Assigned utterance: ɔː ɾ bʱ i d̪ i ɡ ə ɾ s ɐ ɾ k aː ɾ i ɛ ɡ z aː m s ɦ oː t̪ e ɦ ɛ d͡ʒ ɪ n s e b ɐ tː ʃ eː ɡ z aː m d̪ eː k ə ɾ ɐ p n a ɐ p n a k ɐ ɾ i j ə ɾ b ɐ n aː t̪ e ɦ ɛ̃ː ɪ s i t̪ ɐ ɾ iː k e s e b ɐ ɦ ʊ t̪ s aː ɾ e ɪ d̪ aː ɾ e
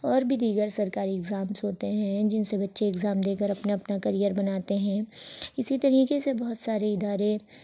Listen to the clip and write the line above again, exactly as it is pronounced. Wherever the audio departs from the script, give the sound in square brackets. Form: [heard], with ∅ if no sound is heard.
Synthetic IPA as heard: ɔː ɾ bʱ i d̪ [iː] ɡ ə ɾ s ɐ ɾ k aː ɾ i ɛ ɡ z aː m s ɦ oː t̪ e ɦ [ɛ̃] d͡ʒ ɪ n s e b ɐ tː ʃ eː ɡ z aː m d̪ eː k ə ɾ ɐ p n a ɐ p n a k ɐ ɾ i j ə ɾ b ɐ n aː t̪ e ɦ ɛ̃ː ɪ s i t̪ ɐ ɾ iː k e s e b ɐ ɦ ʊ t̪ s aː ɾ e ɪ d̪ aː ɾ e